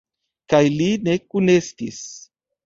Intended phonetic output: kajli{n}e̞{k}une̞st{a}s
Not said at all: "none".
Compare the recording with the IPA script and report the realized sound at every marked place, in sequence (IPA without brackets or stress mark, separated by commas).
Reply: n, k, i